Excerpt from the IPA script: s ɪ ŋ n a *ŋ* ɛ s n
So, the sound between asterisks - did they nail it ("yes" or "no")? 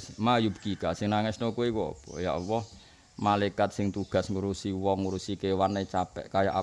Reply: yes